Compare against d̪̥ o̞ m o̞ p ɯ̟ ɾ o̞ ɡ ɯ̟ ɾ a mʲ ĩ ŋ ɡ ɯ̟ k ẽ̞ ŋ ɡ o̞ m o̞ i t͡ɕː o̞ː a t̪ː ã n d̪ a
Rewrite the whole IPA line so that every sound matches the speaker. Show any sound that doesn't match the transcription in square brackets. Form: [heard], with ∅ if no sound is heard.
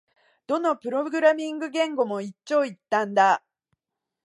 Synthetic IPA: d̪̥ o̞ [n] o̞ p ɯ̟ ɾ o̞ ɡ ɯ̟ ɾ a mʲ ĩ ŋ ɡ ɯ̟ [ɡ] ẽ̞ ŋ ɡ o̞ m o̞ i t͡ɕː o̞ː [i] t̪ː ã n d̪ a